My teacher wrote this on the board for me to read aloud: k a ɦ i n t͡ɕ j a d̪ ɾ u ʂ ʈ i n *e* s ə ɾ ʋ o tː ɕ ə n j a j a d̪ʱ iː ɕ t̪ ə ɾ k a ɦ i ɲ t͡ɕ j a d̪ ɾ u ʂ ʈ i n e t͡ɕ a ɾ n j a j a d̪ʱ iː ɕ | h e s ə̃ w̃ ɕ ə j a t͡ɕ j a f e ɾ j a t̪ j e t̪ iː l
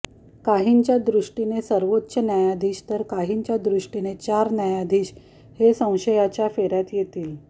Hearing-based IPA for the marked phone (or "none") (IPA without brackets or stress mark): e